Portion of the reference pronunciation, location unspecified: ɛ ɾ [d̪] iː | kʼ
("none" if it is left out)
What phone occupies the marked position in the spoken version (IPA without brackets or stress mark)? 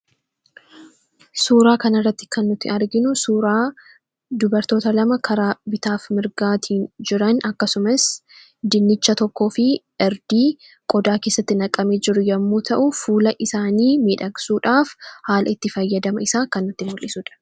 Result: d̪